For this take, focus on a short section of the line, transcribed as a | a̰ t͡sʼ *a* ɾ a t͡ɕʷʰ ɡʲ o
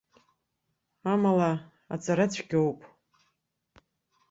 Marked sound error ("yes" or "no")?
no